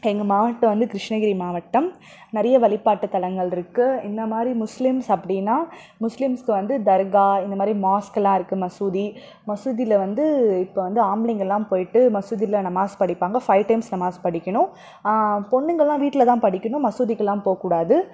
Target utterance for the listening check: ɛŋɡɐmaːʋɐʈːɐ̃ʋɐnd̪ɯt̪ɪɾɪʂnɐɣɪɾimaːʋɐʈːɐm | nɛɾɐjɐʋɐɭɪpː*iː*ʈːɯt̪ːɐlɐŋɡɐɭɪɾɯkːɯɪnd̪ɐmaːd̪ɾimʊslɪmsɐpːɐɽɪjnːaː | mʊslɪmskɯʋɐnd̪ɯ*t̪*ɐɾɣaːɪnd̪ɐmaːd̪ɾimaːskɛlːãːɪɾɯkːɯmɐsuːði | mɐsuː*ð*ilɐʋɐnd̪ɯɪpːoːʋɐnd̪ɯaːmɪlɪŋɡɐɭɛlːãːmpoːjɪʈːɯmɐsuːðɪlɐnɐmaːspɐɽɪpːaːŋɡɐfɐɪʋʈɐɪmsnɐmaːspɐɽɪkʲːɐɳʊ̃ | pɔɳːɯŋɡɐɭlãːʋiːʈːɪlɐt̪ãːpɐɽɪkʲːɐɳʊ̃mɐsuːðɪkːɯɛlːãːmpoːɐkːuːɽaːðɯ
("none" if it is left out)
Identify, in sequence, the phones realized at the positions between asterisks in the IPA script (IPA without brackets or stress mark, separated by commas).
aː, d̪, ð